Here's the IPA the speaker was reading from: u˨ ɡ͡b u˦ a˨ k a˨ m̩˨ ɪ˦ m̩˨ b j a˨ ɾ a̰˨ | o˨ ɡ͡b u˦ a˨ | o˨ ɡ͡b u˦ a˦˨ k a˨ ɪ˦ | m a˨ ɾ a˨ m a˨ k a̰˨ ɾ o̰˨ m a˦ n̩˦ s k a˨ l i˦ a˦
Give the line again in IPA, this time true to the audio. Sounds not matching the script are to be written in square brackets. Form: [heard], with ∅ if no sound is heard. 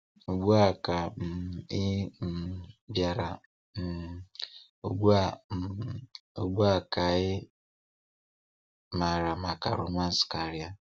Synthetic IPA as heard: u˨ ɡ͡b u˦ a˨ k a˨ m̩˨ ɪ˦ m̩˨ b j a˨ ɾ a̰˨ | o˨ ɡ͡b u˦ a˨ | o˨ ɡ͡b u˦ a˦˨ k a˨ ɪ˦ | m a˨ ɾ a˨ m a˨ k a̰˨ ɾ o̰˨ m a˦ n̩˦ s k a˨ [ɾ] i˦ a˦